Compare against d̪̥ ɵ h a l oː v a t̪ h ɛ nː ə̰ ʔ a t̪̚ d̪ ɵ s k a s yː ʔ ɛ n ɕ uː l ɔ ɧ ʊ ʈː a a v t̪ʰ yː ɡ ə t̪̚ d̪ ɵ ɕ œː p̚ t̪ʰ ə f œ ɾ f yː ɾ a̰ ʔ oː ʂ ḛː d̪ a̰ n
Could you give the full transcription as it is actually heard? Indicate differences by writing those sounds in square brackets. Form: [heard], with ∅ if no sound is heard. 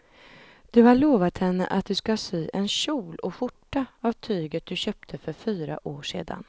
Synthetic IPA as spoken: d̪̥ ɵ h a [ɭ] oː v a t̪ h ɛ nː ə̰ ʔ a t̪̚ d̪ ɵ s k a s yː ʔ ɛ n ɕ uː l ɔ ɧ ʊ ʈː a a v t̪ʰ yː ɡ ə t̪̚ d̪ ɵ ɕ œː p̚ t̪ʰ ə f œ ɾ f yː ɾ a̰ ʔ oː ʂ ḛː d̪ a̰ n

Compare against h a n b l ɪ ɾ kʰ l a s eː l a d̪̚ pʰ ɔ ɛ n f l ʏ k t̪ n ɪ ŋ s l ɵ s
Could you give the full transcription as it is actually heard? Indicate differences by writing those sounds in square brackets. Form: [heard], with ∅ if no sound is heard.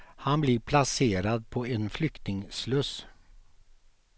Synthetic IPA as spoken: h a n b l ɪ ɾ [pʰ] l a s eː [ɾ] a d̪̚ pʰ ɔ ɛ n f l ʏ k t̪ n ɪ ŋ s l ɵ s

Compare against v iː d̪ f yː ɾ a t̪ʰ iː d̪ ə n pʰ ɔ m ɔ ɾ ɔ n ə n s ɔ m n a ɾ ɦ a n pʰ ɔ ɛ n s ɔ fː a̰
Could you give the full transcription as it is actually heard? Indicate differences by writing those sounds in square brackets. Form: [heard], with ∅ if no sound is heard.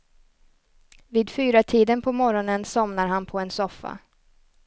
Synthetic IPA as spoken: v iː d̪ f yː ɾ a t̪ʰ iː d̪ ə n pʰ ɔ m ɔ ɾ ɔ n ə n s ɔ m n a ɾ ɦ a n pʰ ɔ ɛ n s ɔ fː a̰

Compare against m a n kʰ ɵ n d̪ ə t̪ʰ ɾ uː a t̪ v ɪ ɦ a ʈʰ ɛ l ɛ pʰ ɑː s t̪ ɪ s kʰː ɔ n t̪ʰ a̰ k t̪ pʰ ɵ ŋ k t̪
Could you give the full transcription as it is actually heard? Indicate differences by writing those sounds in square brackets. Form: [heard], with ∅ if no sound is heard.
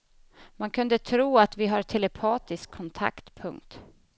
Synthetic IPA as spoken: m a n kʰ ɵ n d̪ ə t̪ʰ ɾ uː a t̪ v ɪ ɦ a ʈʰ ɛ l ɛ pʰ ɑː [∅] t̪ ɪ s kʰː ɔ n t̪ʰ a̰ k t̪ pʰ ɵ ŋ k t̪

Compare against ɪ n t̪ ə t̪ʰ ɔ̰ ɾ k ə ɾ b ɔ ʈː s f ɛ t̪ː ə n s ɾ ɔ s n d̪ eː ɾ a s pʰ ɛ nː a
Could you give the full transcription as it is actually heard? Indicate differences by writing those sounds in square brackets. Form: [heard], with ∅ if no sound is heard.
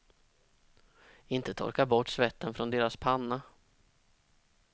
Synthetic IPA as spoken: ɪ n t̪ ə t̪ʰ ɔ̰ ɾ k [a] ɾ b ɔ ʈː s [v] ɛ t̪ː ə n [f] ɾ ɔ [∅] n d̪ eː ɾ a s pʰ [a] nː a

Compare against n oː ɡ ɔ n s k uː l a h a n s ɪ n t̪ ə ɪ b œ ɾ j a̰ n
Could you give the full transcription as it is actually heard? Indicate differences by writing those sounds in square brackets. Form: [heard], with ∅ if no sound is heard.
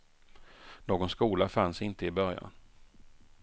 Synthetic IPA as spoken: n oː ɡ ɔ n s k uː l a [f] a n s ɪ n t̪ ə ɪ b œ ɾ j a̰ n

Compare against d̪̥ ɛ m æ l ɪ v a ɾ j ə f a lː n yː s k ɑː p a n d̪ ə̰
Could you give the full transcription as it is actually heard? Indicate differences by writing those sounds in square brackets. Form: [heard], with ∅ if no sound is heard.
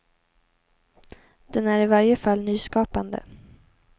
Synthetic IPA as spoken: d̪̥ ɛ [n] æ [ɾ] ɪ v a ɾ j ə f a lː n yː s k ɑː p a n d̪ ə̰

